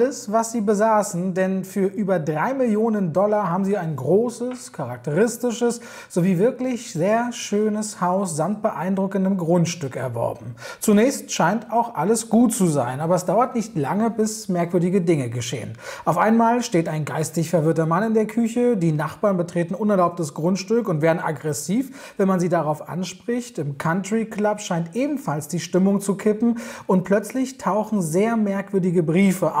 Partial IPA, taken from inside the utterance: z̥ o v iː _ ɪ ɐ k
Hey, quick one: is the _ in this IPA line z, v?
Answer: v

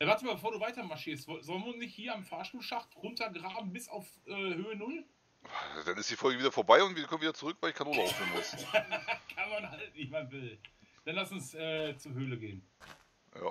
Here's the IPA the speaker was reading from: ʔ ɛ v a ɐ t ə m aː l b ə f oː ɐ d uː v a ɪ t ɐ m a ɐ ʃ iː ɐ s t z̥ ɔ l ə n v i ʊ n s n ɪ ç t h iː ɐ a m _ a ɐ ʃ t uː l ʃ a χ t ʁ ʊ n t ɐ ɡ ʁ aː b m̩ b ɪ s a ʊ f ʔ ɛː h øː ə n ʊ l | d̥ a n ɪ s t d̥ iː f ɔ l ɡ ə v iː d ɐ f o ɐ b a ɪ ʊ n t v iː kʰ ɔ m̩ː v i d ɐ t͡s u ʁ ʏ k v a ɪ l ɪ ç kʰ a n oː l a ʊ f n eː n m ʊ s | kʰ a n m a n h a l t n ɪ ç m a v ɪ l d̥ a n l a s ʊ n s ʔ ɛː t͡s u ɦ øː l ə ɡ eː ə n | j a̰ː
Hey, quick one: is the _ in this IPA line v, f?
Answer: f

